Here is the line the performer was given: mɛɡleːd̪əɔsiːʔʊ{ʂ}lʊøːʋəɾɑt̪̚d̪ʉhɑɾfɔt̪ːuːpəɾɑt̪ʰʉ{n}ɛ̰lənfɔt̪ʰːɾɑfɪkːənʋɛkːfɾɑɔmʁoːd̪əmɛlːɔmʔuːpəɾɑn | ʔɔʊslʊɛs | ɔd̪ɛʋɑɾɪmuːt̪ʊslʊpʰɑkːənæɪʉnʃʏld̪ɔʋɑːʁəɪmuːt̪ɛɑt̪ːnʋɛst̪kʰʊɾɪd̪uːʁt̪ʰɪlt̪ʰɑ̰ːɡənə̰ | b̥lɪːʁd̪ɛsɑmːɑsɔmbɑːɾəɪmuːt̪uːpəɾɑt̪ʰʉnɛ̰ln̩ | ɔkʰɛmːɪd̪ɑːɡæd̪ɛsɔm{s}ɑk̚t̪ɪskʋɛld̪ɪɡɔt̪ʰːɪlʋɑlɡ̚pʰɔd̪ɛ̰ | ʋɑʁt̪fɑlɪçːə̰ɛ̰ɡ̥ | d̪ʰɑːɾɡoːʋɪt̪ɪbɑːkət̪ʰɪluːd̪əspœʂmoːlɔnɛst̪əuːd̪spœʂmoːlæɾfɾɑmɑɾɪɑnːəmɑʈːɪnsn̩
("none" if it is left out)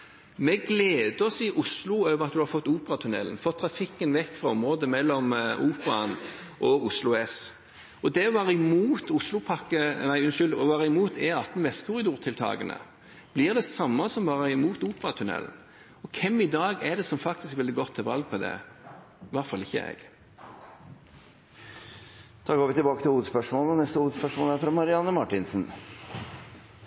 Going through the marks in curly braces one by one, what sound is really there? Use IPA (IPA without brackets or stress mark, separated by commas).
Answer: s, n, f